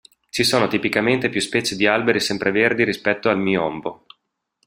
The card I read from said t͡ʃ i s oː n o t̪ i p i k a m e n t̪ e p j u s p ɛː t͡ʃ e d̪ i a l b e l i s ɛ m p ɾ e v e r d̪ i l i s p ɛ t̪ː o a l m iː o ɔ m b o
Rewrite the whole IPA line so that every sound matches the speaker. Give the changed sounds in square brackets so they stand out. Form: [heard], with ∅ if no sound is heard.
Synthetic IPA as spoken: t͡ʃ i s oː n o t̪ i p i k a m e n t̪ e p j u s p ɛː t͡ʃ e d̪ i a l b e [ɾ] i s ɛ m p ɾ e v e r d̪ i [ɾ] i s p ɛ t̪ː o a l m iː o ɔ m b o